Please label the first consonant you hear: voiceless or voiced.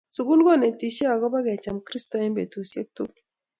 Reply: voiceless